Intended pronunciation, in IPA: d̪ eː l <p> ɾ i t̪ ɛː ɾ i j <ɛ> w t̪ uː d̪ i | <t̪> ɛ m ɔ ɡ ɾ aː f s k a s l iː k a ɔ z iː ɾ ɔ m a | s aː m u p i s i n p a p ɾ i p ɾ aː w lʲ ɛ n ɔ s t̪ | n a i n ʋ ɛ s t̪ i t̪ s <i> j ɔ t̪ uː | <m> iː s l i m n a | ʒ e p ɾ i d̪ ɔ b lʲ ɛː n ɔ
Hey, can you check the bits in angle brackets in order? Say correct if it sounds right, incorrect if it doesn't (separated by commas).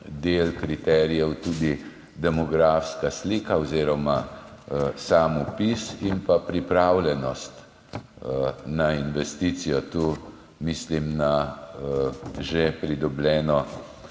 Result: incorrect, correct, incorrect, correct, correct